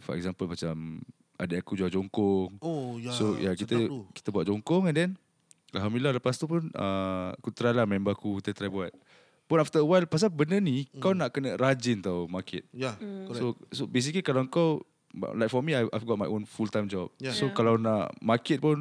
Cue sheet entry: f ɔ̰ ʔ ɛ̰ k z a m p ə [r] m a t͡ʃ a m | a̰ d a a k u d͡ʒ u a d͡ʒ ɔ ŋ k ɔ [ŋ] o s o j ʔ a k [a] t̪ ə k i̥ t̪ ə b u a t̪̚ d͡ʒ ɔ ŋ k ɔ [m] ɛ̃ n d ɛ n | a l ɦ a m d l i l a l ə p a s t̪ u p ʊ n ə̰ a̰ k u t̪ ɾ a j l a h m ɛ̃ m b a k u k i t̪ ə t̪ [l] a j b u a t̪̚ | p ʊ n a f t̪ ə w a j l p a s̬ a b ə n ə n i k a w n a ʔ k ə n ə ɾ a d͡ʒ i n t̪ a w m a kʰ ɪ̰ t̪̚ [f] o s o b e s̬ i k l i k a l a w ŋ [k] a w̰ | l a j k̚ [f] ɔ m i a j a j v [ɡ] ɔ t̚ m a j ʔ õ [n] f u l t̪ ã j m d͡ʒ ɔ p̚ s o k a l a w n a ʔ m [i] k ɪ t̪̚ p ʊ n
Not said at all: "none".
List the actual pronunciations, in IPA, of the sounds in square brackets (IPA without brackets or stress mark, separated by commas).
l, ŋ, i, ŋ, ɾ, s, k, f, ɡ, n, a